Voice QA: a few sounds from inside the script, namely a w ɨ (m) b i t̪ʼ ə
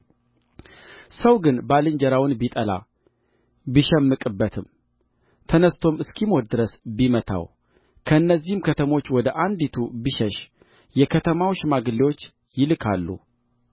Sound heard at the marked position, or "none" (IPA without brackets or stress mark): n